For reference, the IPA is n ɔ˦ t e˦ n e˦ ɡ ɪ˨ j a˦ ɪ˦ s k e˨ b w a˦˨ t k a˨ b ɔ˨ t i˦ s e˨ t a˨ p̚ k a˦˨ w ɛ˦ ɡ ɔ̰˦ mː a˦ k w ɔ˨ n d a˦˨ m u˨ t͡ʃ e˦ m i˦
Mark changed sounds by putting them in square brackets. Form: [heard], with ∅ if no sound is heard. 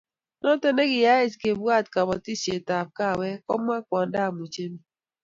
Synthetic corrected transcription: n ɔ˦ t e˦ n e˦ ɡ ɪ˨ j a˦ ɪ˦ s k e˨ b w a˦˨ t k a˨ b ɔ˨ t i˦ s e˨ t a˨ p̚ k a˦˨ w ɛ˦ [k] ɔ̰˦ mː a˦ k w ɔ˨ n d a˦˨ m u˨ t͡ʃ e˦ m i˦